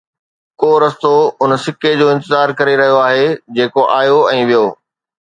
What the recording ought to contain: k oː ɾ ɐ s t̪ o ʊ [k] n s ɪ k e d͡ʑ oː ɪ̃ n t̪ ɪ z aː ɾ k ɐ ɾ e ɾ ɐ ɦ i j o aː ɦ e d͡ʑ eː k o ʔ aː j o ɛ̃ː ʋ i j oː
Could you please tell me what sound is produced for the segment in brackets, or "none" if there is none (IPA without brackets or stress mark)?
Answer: none